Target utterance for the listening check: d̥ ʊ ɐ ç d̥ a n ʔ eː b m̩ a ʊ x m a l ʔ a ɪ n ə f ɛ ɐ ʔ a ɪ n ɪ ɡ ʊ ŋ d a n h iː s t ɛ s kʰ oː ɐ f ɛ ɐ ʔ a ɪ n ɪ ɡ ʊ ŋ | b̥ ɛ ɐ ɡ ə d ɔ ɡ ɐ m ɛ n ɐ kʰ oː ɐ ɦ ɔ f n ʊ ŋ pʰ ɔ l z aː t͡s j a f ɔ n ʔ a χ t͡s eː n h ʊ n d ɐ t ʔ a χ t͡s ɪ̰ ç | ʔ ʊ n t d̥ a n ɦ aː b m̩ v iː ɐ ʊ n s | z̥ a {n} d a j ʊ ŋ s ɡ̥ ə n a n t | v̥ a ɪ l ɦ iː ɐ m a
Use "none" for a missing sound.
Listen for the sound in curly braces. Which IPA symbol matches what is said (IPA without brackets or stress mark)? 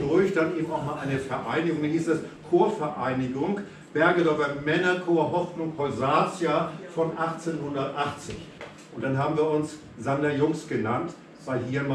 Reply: n